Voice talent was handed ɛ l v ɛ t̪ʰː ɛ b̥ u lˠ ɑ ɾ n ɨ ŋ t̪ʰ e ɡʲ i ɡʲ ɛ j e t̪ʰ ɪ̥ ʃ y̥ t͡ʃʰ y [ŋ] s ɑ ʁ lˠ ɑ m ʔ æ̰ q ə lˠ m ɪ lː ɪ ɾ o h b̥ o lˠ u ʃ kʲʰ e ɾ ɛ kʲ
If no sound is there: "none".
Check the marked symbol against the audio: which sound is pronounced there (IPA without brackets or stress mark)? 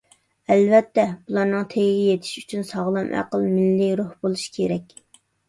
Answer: n